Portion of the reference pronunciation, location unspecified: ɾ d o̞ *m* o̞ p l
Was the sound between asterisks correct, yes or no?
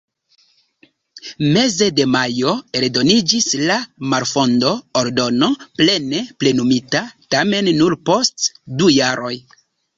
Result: no